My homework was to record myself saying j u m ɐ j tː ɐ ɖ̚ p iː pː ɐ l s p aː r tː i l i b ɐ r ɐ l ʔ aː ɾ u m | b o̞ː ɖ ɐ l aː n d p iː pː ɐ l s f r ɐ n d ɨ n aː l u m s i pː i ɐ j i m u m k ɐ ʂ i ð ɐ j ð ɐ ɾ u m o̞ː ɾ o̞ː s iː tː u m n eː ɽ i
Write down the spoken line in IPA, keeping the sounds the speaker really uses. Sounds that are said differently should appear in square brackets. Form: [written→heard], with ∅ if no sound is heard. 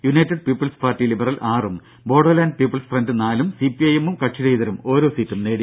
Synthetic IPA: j u [m→n] ɐ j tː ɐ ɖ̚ p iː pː ɐ l s p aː r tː i l i b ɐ r ɐ l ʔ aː [ɾ→r] u m | b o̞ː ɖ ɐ l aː n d p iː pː ɐ l s f r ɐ n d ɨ n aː l u m s i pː i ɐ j [i→e] m u m k ɐ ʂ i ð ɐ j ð ɐ ɾ u m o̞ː ɾ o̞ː s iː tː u m n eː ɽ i